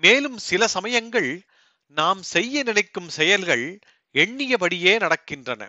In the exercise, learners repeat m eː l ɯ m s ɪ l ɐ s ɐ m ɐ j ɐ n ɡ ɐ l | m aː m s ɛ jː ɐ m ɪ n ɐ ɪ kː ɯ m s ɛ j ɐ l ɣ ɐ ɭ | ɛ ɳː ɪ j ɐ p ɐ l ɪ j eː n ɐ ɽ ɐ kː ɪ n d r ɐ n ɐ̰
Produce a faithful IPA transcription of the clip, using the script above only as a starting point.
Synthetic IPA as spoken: m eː l ɯ m s ɪ l ɐ s ɐ m ɐ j ɐ ŋ ɡ ɐ ɭ | n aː m s ɛ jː ɐ n ɪ n ɐ ɪ kː ɯ m s ɛ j ɐ l ɣ ɐ ɭ | ɛ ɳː ɪ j ɐ p ɐ ɽ ɪ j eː n ɐ ɽ ɐ kː ɪ n d r ɐ n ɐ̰